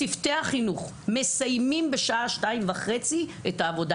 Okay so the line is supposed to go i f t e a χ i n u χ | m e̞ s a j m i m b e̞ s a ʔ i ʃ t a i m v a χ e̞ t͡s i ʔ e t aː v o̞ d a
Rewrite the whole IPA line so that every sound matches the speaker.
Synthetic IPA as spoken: i f t e a χ i n u χ | m e̞ s a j m i m b e̞ ʃ a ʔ a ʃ t a i m v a χ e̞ t͡s i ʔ e t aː v o̞ d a

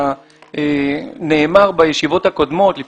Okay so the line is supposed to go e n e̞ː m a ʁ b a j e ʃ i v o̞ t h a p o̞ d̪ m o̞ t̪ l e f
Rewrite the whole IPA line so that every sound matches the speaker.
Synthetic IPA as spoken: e n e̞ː m a ʁ b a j e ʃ i v o̞ t h a k o̞ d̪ m o̞ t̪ l i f

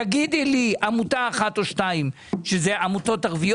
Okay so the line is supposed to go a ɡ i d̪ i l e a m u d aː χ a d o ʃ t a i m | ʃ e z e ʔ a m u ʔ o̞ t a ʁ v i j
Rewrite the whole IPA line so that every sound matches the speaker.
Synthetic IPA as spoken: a ɡ i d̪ i l i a m u t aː χ a t o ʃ t a i m | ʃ e z e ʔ a m u t o̞ t a ʁ v i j

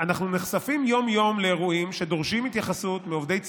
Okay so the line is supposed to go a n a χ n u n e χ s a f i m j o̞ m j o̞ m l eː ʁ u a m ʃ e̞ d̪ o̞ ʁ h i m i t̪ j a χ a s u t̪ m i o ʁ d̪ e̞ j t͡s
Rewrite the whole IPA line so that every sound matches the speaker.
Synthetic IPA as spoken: a n a χ n u n e χ s a f i m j o̞ m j o̞ m l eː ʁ u i m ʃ e̞ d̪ o̞ ʁ ʃ i m i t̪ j a χ a s u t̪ m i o v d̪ e̞ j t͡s

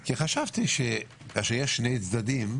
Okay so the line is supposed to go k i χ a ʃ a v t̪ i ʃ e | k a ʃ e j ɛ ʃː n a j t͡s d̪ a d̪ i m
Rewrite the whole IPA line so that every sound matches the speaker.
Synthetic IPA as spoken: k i χ a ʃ a v t̪ i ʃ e | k a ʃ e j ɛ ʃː n e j t͡s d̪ a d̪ i m

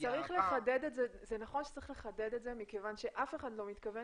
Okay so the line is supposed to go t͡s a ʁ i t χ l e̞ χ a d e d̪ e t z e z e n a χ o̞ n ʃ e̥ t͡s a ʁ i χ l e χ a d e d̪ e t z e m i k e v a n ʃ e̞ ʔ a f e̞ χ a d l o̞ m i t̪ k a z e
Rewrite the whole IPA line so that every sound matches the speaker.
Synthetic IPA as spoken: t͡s a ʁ i χ l e̞ χ a d e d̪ e t z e z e n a χ o̞ n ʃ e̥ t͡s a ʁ i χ l e χ a d e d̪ e t z e m i k e v a n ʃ e̞ ʔ a f e̞ χ a d l o̞ m i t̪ k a v e

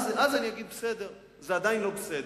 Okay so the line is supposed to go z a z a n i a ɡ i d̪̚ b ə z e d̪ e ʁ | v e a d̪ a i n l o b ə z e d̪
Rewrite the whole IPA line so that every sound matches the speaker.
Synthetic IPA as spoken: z a z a n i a ɡ i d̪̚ b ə s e d̪ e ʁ | z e a d̪ a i n l o b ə s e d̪

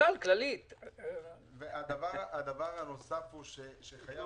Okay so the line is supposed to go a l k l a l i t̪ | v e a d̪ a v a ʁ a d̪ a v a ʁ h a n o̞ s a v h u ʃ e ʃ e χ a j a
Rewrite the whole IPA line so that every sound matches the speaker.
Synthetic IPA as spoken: a l k l a l i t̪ | v e a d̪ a v a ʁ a d̪ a v a ʁ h a n o̞ s a f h u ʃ e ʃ e χ a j a

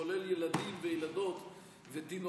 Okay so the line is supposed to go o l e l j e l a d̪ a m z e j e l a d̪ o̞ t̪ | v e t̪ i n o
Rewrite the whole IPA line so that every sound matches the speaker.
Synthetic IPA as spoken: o l e l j e l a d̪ i m v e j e l a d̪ o̞ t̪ | v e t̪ i n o

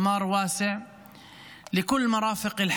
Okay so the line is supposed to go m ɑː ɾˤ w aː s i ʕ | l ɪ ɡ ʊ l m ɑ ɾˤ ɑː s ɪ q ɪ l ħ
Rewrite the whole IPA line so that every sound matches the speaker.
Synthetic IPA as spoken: m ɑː ɾˤ w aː s ɪ ʕ | l ɪ k ʊ lː m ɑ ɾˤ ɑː f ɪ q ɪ l ħ

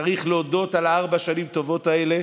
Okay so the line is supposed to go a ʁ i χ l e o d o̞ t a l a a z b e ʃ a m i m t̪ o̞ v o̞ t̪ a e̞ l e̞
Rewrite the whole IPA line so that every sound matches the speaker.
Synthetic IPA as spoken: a ʁ i χ l e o d o̞ t a l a a ʁ b a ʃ a n i m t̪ o̞ v o̞ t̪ a e̞ l e̞

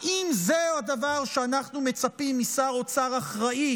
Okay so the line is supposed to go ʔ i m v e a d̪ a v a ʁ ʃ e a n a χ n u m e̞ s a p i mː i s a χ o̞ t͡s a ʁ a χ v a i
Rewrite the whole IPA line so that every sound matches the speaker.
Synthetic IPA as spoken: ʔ i m z e a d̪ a v a ʁ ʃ e a n a χ n u m e̞ t͡s a p i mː i s a ʁ o̞ t͡s a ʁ a χ ʁ a i

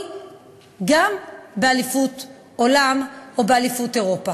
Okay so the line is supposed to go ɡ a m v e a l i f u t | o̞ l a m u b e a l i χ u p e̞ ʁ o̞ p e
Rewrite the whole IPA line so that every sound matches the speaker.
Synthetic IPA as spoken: ɡ a m b e a l i f u t | o̞ l a m o b e a l i f u t e̞ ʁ o̞ p a

